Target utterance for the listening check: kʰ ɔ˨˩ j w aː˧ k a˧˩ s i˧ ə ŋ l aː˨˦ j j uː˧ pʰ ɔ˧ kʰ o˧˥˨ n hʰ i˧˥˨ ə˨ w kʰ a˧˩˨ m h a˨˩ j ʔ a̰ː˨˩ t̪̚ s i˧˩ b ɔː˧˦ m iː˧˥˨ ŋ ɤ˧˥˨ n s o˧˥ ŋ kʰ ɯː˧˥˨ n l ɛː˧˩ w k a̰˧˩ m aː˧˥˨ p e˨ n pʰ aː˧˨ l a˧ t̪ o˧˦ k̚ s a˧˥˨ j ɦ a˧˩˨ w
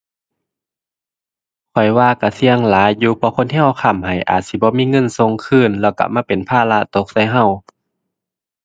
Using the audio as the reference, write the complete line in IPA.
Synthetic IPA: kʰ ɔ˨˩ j w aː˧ k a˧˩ s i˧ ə ŋ l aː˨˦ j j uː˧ pʰ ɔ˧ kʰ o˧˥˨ n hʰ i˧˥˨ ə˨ w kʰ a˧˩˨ m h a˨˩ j ʔ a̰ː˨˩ t̪̚ s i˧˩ b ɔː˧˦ m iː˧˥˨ ŋ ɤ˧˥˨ n s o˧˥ ŋ kʰ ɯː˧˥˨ n l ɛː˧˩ w k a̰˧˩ m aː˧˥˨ p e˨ n pʰ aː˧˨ l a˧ t̪ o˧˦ k̚ s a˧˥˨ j ɦ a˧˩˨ w